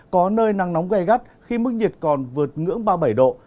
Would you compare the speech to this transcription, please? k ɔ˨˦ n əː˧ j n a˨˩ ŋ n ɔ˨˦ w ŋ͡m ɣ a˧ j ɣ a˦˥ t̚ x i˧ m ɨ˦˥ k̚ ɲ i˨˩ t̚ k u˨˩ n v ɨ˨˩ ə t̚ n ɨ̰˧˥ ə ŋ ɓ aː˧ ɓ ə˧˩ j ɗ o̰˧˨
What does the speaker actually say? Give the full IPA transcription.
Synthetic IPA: k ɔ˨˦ n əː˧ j n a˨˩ ŋ n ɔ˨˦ w ŋ͡m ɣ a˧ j ɣ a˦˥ t̚ x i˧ m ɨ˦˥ k̚ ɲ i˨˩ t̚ k ɔ˨˩ n v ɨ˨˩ ə t̚ ŋ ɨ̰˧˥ ə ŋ ɓ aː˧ ɓ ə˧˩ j ɗ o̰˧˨